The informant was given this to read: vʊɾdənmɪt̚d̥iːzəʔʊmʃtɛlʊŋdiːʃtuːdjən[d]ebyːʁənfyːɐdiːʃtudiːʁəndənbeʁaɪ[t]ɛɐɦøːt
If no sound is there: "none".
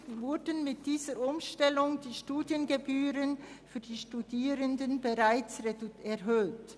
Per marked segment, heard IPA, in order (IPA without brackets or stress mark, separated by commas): ɡ, t͡s